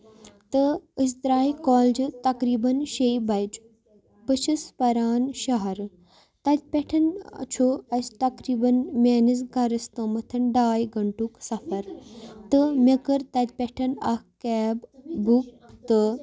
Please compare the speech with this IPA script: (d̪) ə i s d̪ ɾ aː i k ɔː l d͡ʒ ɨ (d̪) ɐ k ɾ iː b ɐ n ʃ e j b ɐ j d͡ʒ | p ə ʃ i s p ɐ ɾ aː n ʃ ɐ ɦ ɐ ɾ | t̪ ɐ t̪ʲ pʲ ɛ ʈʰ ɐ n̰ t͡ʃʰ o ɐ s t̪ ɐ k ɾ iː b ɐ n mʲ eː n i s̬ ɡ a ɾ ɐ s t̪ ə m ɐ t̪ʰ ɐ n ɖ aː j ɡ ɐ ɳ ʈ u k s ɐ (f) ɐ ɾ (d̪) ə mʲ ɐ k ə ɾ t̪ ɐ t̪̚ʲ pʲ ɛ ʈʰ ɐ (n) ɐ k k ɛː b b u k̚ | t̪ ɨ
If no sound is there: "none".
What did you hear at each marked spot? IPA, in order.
t̪, t̪, f, t̪, n

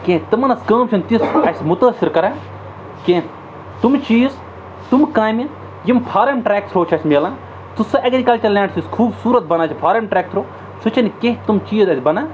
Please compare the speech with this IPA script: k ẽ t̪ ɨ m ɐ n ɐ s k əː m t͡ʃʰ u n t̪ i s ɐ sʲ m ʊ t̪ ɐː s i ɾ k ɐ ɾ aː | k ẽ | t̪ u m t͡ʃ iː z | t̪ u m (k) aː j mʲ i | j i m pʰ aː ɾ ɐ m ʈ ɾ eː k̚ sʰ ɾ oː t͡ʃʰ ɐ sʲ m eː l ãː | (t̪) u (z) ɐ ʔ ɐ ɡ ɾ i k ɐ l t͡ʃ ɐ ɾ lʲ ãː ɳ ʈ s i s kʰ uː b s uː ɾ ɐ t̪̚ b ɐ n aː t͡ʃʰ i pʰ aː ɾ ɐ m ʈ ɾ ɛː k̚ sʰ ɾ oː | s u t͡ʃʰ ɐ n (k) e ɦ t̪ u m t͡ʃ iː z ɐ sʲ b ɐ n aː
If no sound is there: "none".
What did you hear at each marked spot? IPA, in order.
k, t̪, s, k

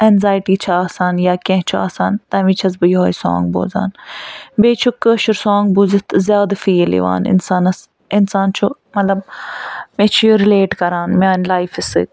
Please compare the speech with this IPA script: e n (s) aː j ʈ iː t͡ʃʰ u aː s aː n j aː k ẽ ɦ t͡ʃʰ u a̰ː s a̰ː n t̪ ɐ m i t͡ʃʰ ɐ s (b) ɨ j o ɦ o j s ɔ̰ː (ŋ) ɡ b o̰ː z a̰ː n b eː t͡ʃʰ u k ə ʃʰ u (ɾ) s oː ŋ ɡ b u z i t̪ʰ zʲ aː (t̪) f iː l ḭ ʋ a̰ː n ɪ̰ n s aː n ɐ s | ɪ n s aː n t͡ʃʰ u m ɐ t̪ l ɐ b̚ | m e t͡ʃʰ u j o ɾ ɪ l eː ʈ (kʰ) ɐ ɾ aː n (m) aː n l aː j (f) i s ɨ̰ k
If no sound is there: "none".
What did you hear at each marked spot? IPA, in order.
z, b, ŋ, ɾ, d̪, k, m, f

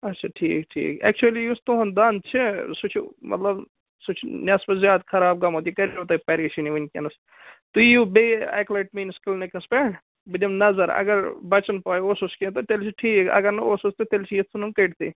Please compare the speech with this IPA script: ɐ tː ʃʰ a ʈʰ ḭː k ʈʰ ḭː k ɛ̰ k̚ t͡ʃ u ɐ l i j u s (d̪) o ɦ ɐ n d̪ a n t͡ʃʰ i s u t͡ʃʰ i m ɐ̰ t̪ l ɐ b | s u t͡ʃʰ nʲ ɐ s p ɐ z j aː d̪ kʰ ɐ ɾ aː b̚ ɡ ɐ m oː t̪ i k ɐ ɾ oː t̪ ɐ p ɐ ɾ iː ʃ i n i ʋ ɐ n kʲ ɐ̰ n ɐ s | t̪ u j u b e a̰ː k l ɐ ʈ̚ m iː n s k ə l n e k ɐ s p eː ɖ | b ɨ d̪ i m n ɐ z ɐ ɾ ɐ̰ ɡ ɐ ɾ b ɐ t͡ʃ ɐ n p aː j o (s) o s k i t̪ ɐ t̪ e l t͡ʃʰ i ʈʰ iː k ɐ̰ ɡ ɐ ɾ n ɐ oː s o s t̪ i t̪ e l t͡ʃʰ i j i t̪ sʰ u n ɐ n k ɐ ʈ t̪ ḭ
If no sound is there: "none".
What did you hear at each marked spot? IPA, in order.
t̪, s

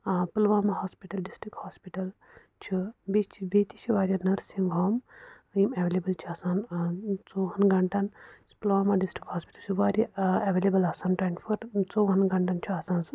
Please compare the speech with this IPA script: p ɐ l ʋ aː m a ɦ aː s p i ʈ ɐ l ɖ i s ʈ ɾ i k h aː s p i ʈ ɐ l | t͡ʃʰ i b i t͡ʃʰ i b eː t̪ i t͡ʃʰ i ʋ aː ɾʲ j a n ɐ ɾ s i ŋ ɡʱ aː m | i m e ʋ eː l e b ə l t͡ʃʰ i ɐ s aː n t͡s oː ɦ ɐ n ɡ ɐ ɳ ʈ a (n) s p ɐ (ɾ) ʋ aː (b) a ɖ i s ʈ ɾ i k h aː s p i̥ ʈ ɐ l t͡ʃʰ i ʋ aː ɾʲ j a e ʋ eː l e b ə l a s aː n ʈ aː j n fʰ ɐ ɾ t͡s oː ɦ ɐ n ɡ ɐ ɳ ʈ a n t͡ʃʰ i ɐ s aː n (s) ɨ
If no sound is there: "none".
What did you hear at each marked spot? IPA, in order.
n, l, m, s

